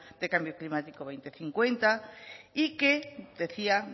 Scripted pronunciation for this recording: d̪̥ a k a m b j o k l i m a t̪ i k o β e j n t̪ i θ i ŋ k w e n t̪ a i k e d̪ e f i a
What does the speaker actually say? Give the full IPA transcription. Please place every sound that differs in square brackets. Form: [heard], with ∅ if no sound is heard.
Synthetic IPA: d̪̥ [e] k a m b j o k l i m a t̪ i k o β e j n t̪ [e] θ i ŋ k w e n t̪ a i k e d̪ e [θ] i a

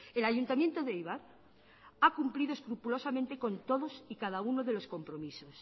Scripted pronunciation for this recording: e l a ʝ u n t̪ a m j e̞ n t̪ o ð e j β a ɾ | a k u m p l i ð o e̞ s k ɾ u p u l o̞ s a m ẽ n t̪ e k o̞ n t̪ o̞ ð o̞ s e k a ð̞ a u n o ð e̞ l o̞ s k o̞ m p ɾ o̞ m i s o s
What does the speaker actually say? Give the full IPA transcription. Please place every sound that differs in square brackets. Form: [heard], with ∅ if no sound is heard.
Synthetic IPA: e l a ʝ u n t̪ a m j e̞ n t̪ o ð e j β a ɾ | a k u m p l i ð o e̞ s k ɾ u p u l o̞ s a m ẽ n t̪ e k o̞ n t̪ o̞ ð o̞ s [i] k a ð̞ a u n o ð e̞ l o̞ s k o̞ m p ɾ o̞ m i s o s

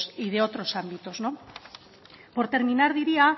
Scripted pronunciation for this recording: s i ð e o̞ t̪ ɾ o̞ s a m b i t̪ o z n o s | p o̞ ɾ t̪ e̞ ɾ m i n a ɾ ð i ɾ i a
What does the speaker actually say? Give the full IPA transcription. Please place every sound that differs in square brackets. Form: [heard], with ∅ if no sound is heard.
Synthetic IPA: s i ð e o̞ t̪ ɾ o̞ s a m b i t̪ o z n o [∅] | p o̞ ɾ t̪ e̞ ɾ m i n a ɾ ð i ɾ i a

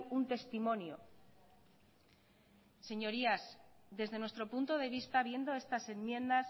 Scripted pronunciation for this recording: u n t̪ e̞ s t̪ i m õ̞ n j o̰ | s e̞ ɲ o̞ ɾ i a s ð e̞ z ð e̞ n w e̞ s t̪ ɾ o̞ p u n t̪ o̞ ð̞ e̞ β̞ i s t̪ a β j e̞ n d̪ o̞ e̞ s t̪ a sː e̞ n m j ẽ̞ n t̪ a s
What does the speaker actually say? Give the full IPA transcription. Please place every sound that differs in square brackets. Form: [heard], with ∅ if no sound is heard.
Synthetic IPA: u n t̪ e̞ s t̪ i m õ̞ n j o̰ | s e̞ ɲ o̞ ɾ i a s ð e̞ z ð e̞ n w e̞ s t̪ ɾ o̞ p u n t̪ o̞ ð̞ e̞ β̞ i s t̪ a β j e̞ n d̪ o̞ e̞ s t̪ a [s] e̞ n m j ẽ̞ n [d̪] a s

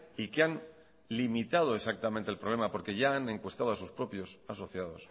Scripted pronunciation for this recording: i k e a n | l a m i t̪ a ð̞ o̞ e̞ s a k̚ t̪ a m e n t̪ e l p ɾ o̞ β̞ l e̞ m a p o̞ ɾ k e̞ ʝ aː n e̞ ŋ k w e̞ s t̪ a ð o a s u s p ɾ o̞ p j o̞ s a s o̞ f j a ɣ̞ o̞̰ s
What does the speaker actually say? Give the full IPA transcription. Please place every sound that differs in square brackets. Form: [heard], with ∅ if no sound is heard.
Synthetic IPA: i k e a n | l [i] m i t̪ a ð̞ o̞ e̞ s a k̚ t̪ a m e n t̪ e l p ɾ o̞ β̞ l e̞ m a p o̞ ɾ k e̞ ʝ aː n e̞ ŋ k w e̞ s t̪ a ð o a s u s p ɾ o̞ p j o̞ s a s o̞ [θ] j a [ð̞] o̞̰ s

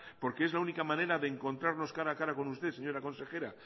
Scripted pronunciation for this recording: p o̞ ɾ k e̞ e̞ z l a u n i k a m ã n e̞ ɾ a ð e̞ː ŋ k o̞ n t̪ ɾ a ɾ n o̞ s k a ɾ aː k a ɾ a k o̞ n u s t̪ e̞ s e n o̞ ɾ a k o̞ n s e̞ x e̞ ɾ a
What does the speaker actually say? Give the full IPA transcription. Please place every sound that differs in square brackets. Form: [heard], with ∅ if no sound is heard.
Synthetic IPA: p o̞ ɾ k e̞ e̞ z l a u n i k a m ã n e̞ ɾ a ð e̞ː ŋ k o̞ n t̪ ɾ a ɾ n o̞ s k a ɾ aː k a ɾ a k o̞ n u s t̪ e̞ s e [ɲ] o̞ ɾ a k o̞ n s e̞ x e̞ ɾ a

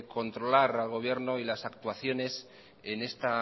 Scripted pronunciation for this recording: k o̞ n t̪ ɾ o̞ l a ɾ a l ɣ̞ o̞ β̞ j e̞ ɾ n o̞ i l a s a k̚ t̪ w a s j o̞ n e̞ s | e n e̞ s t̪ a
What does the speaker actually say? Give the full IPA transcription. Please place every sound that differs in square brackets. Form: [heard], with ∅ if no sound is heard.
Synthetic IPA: k o̞ n t̪ ɾ o̞ l a ɾ a l ɣ̞ o̞ β̞ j e̞ ɾ n o̞ i l a s a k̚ t̪ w a [θ] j o̞ n e̞ s | e n e̞ s t̪ a

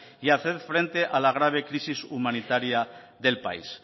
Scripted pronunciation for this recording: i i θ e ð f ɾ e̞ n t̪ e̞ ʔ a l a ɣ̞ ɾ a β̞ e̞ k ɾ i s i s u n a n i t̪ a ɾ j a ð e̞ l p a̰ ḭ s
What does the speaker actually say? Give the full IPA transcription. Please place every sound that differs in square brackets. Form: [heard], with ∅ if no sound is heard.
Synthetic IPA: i [a] θ e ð f ɾ e̞ n t̪ e̞ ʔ a l a ɣ̞ ɾ a β̞ e̞ k ɾ i s i s u [m] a n i t̪ a ɾ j a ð e̞ l p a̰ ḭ s

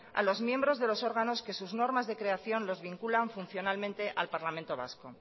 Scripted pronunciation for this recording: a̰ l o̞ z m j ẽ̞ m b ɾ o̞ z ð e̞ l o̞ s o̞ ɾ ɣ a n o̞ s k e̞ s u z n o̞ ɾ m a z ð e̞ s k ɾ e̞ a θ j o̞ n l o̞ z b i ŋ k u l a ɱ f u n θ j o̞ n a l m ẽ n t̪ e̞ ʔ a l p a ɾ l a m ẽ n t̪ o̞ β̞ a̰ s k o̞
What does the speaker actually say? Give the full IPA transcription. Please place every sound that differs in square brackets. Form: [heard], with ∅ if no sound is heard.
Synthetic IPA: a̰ l o̞ z m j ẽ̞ m b ɾ o̞ z ð e̞ l o̞ s o̞ ɾ ɣ a n o̞ s k e̞ s u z n o̞ ɾ m a z ð e̞ [∅] k ɾ e̞ a θ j o̞ n l o̞ z [β] i ŋ k u l a ɱ f u n θ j o̞ n a l m ẽ n t̪ e̞ ʔ a l p a ɾ l a m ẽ n t̪ o̞ β̞ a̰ s k o̞

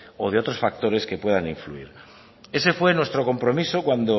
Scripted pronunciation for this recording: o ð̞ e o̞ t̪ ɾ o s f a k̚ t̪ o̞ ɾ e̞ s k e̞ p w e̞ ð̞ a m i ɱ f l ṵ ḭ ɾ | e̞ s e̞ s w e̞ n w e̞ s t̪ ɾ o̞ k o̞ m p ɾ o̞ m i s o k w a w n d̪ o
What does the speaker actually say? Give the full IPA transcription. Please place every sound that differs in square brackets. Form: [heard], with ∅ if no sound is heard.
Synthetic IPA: o ð̞ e o̞ t̪ ɾ o s f a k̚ t̪ o̞ ɾ e̞ s k e̞ p w e̞ ð̞ a [n] i ɱ f l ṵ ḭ ɾ | e̞ s e̞ [f] w e̞ n w e̞ s t̪ ɾ o̞ k o̞ m p ɾ o̞ m i s o k w a [∅] n d̪ o

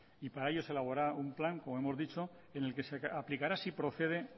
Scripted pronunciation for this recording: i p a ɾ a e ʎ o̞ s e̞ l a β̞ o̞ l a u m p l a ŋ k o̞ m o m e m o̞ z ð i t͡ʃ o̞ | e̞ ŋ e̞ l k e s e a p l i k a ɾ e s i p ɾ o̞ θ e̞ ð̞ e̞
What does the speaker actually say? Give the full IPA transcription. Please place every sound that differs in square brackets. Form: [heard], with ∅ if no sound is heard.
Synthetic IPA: i p a ɾ a e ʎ o̞ s e̞ l a β̞ o̞ [ɾ] a u m p l a ŋ k o̞ m o [∅] e m o̞ z ð i t͡ʃ o̞ | e̞ [n] e̞ l k e s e a p l i k a ɾ [a] s i p ɾ o̞ θ e̞ ð̞ e̞

